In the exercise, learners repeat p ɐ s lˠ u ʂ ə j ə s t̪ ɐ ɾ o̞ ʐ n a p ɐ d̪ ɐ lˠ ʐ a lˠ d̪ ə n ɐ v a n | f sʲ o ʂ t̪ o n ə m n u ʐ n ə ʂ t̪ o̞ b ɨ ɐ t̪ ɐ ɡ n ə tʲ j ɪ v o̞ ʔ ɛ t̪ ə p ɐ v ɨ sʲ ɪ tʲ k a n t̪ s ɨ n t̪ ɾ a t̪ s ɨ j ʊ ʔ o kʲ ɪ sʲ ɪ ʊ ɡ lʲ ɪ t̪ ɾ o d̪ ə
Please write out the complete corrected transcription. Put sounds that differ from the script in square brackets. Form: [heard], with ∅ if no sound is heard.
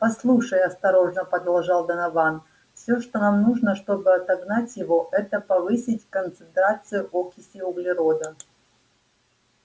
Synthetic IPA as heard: p ɐ s lˠ u ʂ ə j [ɐ] s t̪ ɐ ɾ o̞ ʐ n [ə] p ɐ d̪ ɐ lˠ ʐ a lˠ d̪ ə n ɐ v a n | f sʲ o ʂ t̪ o n [a] m n u ʐ n ə ʂ t̪ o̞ b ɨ ɐ t̪ ɐ ɡ n [a] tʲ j ɪ v o̞ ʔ ɛ t̪ ə p ɐ v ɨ sʲ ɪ tʲ k [ə] n t̪ s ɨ n t̪ ɾ a t̪ s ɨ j ʊ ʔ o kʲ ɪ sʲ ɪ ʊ ɡ lʲ ɪ [∅] ɾ o d̪ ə